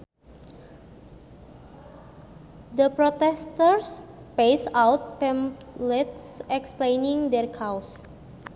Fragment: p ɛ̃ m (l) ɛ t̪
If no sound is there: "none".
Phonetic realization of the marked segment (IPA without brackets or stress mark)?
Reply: l